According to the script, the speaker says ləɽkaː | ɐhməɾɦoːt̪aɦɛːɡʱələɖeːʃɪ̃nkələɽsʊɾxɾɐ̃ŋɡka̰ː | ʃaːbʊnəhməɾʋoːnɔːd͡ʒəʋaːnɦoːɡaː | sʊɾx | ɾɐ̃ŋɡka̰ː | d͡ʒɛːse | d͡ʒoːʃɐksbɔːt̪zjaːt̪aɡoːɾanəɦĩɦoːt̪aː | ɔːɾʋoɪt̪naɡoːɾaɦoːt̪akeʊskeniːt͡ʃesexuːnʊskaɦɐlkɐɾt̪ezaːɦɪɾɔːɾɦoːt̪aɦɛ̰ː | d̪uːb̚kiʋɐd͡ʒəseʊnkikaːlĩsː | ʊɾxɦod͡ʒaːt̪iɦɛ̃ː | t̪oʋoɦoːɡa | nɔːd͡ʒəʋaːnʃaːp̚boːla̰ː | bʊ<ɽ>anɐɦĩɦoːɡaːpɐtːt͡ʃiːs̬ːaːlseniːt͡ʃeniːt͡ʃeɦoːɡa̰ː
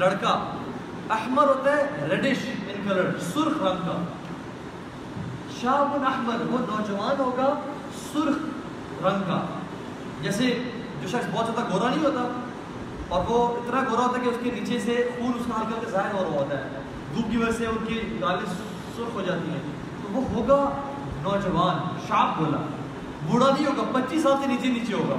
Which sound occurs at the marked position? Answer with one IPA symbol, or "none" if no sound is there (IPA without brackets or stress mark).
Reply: ɽ